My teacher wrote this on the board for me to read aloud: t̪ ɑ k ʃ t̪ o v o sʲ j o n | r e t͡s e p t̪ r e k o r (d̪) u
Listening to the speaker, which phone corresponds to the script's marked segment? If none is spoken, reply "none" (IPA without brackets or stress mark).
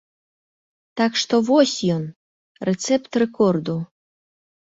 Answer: d̪